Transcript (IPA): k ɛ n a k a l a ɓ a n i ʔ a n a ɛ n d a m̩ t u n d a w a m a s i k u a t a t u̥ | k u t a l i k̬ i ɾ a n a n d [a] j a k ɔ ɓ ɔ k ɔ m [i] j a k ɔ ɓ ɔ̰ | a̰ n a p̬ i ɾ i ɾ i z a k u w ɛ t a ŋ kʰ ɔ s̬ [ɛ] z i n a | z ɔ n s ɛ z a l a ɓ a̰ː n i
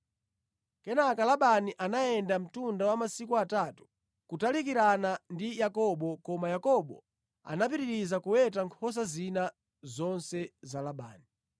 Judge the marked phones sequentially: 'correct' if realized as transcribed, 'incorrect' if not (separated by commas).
incorrect, incorrect, incorrect